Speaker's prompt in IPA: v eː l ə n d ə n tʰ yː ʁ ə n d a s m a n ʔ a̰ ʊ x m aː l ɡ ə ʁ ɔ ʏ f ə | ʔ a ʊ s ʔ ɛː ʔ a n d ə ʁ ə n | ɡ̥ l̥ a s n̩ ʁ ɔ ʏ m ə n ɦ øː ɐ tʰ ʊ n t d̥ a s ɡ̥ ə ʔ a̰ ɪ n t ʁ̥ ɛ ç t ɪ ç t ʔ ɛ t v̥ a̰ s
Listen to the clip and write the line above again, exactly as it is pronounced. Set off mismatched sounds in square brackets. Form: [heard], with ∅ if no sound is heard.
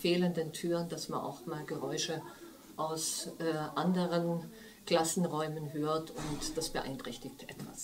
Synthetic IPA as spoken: [f] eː l ə n d ə n tʰ yː ʁ ə n d a s m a n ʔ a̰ ʊ x m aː l ɡ ə ʁ ɔ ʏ [ʃ] ə | ʔ a ʊ s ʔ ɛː ʔ a n d ə ʁ ə n | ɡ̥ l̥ a s n̩ ʁ ɔ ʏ m ə n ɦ øː ɐ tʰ ʊ n t d̥ a s [b̥] ə ʔ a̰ ɪ n t ʁ̥ ɛ ç t ɪ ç t ʔ ɛ t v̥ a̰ s